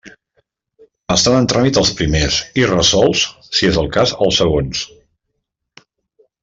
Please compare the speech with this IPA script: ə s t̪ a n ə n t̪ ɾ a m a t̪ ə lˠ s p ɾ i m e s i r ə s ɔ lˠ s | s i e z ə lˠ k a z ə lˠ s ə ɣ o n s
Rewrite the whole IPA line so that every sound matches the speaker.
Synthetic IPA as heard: ə s t̪ a n ə n t̪ ɾ a m i t̪ ə lˠ s p ɾ i m e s i r ə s ɔ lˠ s | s i e z ə lˠ k a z ə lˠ s ə ɣ o n s